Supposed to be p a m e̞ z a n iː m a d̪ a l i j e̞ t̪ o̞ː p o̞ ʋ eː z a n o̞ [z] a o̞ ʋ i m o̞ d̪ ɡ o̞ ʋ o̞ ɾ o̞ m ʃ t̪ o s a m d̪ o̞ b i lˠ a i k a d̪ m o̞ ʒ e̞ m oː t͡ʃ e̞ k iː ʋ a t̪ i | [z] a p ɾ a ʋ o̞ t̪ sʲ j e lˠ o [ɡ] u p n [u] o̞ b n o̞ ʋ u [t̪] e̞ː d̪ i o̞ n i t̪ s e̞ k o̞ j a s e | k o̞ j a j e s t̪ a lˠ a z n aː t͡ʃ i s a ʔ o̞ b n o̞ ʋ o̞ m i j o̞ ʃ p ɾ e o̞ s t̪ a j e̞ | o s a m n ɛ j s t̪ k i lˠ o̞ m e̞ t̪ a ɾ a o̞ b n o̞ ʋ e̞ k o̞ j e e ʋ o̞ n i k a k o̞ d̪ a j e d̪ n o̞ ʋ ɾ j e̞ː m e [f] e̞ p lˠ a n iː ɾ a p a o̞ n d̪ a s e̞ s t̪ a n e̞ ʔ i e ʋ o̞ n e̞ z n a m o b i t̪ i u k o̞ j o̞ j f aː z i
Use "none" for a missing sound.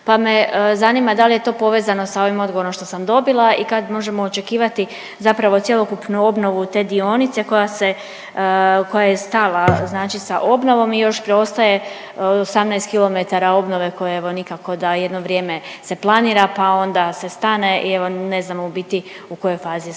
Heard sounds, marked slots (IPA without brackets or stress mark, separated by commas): s, z, k, u, t̪, s